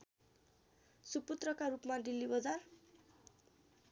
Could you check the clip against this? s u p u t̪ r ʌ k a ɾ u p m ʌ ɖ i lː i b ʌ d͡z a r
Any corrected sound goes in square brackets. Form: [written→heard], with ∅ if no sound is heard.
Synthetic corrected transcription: s u p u t̪ r ʌ k a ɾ u p m [ʌ→a] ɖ i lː i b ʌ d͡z a r